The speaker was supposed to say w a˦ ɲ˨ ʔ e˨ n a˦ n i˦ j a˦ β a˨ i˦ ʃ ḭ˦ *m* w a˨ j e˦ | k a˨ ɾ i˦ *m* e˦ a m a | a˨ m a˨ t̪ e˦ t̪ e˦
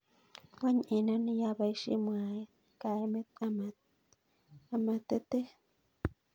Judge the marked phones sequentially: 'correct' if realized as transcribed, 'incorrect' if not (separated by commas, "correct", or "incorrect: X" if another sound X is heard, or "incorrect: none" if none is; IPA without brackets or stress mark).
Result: correct, correct